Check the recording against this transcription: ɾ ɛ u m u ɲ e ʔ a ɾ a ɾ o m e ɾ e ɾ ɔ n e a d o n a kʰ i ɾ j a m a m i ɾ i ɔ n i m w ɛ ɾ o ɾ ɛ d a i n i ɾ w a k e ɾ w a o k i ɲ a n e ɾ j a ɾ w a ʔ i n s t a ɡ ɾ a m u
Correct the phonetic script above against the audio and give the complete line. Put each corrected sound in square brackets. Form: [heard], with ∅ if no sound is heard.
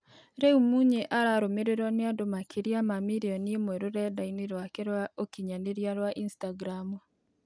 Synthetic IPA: ɾ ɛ u m u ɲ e ʔ a ɾ a ɾ o m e ɾ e ɾ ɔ n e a d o [m] a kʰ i ɾ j a m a m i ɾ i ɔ n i m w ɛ ɾ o ɾ ɛ d a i n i ɾ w a k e ɾ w a o k i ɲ a n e ɾ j a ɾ w a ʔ i n s t a ɡ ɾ a m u